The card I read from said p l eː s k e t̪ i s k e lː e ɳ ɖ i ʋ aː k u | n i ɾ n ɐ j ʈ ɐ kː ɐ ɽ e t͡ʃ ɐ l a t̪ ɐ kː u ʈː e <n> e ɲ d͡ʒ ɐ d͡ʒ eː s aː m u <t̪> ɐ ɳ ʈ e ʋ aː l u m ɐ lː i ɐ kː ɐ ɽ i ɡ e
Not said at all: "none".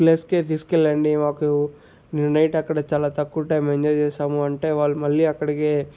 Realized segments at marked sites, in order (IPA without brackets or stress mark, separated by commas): m, none